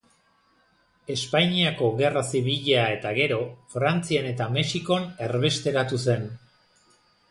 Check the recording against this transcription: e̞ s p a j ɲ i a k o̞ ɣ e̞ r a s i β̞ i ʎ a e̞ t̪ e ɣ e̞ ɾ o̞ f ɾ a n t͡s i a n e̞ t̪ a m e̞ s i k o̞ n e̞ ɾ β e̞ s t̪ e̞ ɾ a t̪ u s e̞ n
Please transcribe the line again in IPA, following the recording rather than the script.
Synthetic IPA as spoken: e̞ s p a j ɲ i a k o̞ ɣ e̞ r a s i β̞ i ʎ a e̞ t̪ a ɣ e̞ ɾ o̞ f ɾ a n t͡s i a n e̞ t̪ a m e̞ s i k o̞ n e̞ ɾ β e̞ s t̪ e̞ ɾ a t̪ u s e̞ n